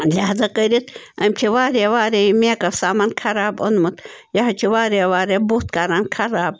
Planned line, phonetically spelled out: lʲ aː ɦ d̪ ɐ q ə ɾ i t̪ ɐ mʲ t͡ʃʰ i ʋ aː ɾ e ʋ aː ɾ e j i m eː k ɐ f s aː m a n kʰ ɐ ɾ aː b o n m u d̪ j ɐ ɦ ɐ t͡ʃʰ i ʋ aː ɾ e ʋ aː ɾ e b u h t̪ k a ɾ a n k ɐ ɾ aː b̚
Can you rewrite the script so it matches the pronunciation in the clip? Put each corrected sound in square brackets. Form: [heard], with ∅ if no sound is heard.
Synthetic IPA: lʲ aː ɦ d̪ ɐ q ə ɾ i t̪ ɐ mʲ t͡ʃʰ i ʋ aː ɾ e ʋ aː ɾ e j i m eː k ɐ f s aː m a n kʰ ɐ ɾ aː b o n m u [t̪] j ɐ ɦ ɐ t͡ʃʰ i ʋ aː ɾ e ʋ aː ɾ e b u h t̪ k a ɾ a n [kʰ] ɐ ɾ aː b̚